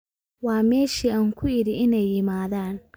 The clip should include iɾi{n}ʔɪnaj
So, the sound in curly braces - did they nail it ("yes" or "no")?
no